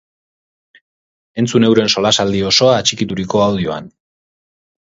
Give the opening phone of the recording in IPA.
e̞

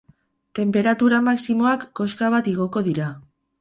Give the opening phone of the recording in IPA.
t̪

